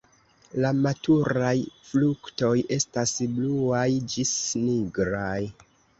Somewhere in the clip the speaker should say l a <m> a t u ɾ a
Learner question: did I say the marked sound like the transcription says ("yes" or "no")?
yes